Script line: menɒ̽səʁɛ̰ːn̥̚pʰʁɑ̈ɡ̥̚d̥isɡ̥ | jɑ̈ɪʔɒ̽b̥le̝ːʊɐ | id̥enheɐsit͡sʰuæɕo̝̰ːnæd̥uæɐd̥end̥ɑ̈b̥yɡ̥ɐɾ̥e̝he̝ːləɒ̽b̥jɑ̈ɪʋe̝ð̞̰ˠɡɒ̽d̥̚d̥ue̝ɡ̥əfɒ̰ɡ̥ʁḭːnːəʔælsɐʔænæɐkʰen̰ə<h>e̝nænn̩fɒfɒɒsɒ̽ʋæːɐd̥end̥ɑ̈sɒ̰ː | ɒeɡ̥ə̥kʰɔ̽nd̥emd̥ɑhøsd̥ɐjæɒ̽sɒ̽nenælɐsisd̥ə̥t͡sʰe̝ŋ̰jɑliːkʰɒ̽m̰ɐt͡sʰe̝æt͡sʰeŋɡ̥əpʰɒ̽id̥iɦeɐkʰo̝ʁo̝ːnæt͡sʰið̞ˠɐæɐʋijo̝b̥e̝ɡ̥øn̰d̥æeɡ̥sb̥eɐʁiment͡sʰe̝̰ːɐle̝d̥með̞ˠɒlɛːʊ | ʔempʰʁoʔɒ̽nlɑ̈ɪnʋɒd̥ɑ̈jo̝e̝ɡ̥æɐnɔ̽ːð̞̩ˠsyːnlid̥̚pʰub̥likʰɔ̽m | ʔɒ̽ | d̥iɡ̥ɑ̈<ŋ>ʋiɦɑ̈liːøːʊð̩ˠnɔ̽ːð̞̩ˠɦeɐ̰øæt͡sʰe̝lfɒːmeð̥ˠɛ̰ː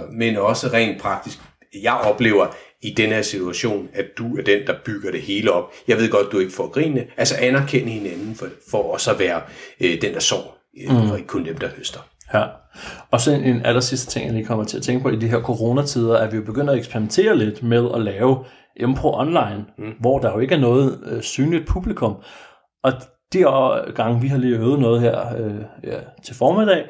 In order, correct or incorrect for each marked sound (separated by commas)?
correct, correct